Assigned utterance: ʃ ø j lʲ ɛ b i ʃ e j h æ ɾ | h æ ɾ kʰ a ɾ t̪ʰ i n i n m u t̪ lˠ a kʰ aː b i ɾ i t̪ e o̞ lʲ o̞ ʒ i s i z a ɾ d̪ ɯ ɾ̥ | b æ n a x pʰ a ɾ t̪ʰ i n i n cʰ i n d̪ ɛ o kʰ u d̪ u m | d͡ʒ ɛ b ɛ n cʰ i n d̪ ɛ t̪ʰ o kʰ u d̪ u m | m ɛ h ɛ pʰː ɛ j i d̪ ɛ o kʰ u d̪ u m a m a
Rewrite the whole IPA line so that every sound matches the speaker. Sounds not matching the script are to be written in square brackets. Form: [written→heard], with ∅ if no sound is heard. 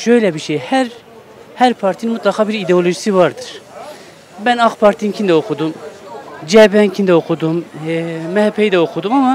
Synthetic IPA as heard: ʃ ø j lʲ ɛ b i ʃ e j h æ ɾ | h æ ɾ [kʰ→pʰ] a ɾ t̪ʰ i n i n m u t̪ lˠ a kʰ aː b i ɾ i [t̪→d̪] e o̞ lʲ o̞ ʒ i s i [z→v] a ɾ d̪ ɯ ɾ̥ | b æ n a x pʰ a ɾ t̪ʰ i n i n cʰ i n d̪ ɛ o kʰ u d̪ u m | d͡ʒ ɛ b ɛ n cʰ i n d̪ ɛ [t̪ʰ→∅] o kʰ u d̪ u m | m ɛ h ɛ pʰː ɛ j i d̪ ɛ o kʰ u d̪ u m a m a

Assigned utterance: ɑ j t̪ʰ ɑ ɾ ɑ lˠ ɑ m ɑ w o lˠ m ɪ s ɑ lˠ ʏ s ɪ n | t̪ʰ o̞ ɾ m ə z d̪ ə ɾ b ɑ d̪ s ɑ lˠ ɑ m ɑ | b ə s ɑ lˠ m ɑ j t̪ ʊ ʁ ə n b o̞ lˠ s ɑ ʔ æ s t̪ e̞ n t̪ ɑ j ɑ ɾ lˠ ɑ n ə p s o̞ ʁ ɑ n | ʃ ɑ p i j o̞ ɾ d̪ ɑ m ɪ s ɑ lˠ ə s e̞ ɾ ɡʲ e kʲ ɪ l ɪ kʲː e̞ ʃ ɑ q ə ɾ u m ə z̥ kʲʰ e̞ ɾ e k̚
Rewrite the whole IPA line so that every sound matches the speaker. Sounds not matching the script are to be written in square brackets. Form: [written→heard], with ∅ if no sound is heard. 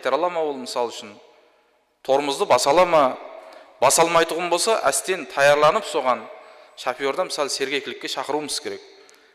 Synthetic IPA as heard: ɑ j [t̪ʰ→t̪] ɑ ɾ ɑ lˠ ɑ m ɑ w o lˠ m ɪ s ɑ lˠ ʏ [s→ʃ] ɪ n | t̪ʰ o̞ ɾ m ə z d̪ ə [ɾ→∅] b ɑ [d̪→∅] s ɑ lˠ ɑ m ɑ | b [ə→ɑ] s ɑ lˠ m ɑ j t̪ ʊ ʁ ə n b o̞ lˠ s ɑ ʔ æ s t̪ e̞ n [t̪→t̪ʰ] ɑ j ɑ ɾ lˠ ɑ n ə p s o̞ ʁ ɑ n | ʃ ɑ p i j o̞ ɾ d̪ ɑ m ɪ s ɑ lˠ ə s e̞ ɾ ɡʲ e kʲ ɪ l ɪ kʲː e̞ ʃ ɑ q ə ɾ u m ə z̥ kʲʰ e̞ ɾ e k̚

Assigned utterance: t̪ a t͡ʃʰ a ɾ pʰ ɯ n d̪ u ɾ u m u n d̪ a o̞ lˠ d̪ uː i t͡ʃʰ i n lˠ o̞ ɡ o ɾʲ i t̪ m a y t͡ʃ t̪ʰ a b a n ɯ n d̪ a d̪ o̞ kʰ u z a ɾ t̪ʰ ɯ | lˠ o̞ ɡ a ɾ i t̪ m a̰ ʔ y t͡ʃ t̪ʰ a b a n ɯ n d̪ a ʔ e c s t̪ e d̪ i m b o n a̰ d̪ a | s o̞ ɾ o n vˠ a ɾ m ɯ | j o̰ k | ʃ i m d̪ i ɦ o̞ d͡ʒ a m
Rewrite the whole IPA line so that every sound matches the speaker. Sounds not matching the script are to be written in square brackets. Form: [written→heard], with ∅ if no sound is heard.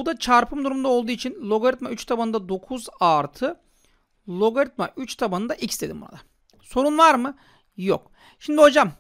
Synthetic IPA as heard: [t̪→d̪] a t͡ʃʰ a ɾ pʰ ɯ [n→m] d̪ u ɾ u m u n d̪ a o̞ lˠ d̪ uː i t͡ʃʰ i n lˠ o̞ ɡ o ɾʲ i t̪ m a y t͡ʃ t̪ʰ a b a n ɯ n d̪ a d̪ o̞ kʰ u z a ɾ t̪ʰ ɯ | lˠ o̞ ɡ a ɾ i t̪ m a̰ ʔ y t͡ʃ t̪ʰ a b a n ɯ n d̪ a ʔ [e→i] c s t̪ e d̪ i m b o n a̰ d̪ a | s o̞ ɾ [o→u] n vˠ a ɾ m ɯ | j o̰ k | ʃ i m d̪ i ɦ o̞ d͡ʒ a m

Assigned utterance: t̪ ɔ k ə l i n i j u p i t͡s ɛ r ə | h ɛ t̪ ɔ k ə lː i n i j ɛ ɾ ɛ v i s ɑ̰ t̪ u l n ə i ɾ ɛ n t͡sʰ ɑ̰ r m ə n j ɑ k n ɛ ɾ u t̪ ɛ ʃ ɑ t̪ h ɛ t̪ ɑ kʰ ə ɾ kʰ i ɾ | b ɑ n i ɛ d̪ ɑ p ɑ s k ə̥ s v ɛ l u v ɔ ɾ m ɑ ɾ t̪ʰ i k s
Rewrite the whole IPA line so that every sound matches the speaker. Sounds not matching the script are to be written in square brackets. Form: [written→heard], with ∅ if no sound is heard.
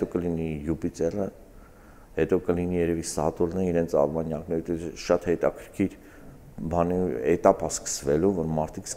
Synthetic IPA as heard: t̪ ɔ k ə l i n i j u p i t͡s ɛ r ə | h ɛ t̪ ɔ k ə [lː→l] i n i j ɛ ɾ ɛ v i s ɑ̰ t̪ u l n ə i ɾ ɛ n t͡sʰ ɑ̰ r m [ə→ɑ] n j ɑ k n ɛ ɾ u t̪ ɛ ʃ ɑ t̪ h ɛ t̪ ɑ kʰ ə ɾ kʰ i ɾ | b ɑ n i ɛ [d̪→t̪] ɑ p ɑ s k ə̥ s v ɛ l u v ɔ ɾ m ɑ ɾ t̪ʰ i k s

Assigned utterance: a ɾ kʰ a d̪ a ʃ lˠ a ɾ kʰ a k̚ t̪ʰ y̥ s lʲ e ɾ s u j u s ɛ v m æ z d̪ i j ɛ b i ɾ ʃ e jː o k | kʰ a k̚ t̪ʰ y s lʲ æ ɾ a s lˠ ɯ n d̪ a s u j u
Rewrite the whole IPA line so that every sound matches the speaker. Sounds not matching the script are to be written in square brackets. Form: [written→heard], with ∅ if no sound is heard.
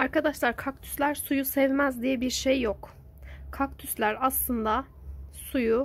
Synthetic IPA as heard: a ɾ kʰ a d̪ a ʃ lˠ a ɾ kʰ a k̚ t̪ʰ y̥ s lʲ [e→æ] ɾ s u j u s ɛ v m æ z d̪ i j ɛ b i ɾ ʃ e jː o k | kʰ a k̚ t̪ʰ y s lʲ æ ɾ a s lˠ ɯ n d̪ a s u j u

